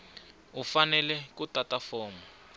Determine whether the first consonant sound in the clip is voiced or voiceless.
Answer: voiceless